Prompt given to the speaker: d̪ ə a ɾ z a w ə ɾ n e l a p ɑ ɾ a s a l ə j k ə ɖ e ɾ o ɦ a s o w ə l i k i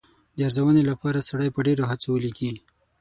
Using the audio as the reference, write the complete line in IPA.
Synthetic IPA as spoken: d̪ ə a ɾ z a w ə n e l a p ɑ ɾ a s a ɽ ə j p ə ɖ e ɾ o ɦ a t͡s o w ə l i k i